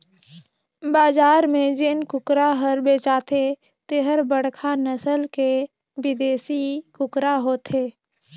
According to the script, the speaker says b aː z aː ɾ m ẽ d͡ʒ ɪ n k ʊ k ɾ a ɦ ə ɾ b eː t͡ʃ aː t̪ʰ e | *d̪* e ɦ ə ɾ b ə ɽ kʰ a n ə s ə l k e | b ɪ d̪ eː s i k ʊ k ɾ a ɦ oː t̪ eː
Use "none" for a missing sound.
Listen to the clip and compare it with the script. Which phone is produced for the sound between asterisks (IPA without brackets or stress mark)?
t̪